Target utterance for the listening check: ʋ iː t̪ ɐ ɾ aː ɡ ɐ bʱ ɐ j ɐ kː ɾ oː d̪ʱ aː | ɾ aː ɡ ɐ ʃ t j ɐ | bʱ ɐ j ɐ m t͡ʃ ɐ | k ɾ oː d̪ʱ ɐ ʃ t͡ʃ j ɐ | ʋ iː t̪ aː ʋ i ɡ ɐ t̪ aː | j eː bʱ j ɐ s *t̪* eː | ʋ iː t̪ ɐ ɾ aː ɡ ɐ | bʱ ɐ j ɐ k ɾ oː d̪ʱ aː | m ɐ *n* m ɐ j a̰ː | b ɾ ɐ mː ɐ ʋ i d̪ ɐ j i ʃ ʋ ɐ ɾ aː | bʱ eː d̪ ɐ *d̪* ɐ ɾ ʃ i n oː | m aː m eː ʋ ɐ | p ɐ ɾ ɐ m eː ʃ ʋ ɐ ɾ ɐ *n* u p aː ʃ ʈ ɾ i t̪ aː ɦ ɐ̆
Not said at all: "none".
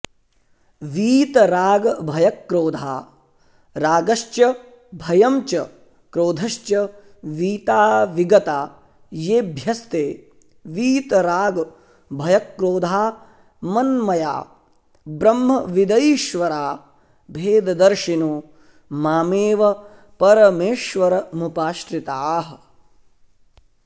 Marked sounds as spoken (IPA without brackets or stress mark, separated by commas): t̪, n, d̪, m